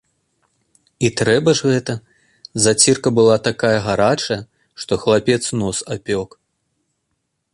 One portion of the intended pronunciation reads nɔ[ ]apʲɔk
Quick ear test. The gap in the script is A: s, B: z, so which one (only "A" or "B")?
A